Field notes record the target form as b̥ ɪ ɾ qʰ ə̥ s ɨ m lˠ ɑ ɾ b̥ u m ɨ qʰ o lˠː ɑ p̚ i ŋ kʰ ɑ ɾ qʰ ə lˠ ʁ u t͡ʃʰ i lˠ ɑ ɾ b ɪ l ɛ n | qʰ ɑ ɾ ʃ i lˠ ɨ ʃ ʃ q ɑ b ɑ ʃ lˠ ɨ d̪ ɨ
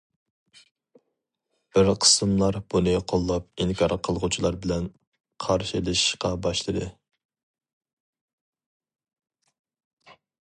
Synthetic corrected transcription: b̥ ɪ ɾ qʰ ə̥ s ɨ m lˠ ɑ ɾ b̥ u n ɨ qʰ o lˠː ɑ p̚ i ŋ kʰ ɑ ɾ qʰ ə lˠ ʁ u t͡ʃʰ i lˠ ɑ ɾ b ɪ l ɛ n | qʰ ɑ ɾ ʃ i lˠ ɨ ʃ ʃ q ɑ b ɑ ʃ lˠ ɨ d̪ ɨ